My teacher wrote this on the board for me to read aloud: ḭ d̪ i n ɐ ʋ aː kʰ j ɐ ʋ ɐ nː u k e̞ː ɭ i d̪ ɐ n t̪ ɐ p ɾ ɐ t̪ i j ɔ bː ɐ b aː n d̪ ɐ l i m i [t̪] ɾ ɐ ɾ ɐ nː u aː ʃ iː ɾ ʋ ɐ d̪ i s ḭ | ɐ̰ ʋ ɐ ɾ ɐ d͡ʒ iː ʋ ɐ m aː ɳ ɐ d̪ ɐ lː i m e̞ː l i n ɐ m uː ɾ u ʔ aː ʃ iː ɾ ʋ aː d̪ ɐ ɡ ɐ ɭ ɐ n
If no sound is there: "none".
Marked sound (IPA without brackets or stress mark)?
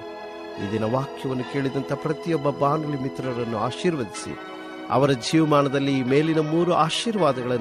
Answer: t̪